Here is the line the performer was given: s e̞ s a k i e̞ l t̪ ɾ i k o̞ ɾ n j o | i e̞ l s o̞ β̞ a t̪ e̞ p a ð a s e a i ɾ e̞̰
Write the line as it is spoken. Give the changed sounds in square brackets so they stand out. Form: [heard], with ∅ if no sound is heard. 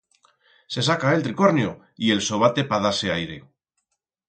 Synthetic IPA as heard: s e̞ s a k [a] e̞ l t̪ ɾ i k o̞ ɾ n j o | i e̞ l s o̞ β̞ a t̪ e̞ p a ð a s e a [j] ɾ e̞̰